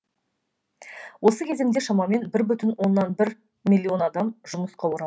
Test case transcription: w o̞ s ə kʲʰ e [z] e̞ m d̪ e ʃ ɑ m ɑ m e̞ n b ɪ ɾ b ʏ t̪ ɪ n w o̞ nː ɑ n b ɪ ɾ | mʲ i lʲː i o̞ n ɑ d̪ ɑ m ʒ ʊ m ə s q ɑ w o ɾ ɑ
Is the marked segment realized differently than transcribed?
no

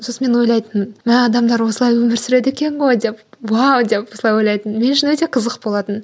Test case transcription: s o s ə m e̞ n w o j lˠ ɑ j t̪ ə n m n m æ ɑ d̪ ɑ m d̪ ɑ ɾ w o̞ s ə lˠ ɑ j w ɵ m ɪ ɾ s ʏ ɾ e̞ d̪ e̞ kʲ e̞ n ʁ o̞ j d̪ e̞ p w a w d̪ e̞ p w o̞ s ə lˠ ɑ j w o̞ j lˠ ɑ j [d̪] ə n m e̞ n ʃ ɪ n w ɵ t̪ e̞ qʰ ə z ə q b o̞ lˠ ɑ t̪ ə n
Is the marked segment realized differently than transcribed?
yes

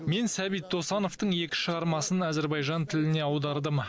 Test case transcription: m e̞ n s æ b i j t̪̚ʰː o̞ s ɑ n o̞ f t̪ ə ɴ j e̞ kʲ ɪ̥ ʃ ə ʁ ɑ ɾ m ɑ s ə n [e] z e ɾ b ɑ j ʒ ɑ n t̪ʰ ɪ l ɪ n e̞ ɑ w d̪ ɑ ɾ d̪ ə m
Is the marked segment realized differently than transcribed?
yes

